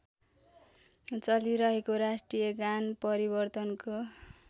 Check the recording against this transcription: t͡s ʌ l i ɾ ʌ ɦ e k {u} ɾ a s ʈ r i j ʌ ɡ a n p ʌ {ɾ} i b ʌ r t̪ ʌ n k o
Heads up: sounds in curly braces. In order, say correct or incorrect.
incorrect, correct

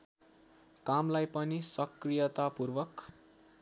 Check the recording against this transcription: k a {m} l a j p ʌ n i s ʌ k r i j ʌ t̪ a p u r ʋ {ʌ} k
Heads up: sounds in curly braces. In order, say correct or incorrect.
correct, correct

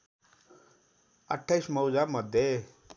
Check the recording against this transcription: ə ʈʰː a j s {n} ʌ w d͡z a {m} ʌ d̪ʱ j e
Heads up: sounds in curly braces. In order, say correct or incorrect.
incorrect, correct

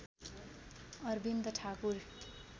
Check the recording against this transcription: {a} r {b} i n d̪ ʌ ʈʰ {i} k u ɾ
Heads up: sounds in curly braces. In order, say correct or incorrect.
incorrect, correct, incorrect

